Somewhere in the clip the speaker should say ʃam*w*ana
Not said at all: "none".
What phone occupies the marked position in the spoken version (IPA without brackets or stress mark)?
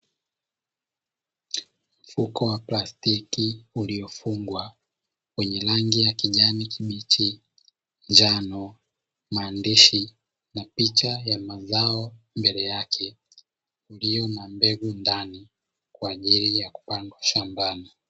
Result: b